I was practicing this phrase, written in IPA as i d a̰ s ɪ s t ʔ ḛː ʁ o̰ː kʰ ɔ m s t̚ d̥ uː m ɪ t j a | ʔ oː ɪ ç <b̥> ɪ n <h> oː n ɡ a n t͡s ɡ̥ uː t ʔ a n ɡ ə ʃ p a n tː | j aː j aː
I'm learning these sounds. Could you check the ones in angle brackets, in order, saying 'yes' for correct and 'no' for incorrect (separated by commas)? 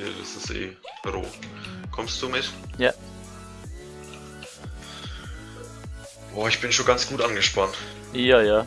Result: yes, no